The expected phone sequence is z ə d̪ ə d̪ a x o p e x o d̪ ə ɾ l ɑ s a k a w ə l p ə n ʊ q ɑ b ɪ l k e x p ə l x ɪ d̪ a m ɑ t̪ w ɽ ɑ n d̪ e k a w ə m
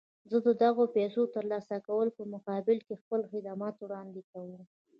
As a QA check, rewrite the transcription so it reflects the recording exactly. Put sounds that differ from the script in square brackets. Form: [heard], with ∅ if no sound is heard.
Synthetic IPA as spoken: z ə d̪ ə d̪ a [ɣ] o p e [s] o [t̪] ə ɾ l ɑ s a k a w ə l p ə [m] ʊ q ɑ b ɪ l k e x p ə l x ɪ d̪ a m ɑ t̪ w ɽ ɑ n d̪ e k a w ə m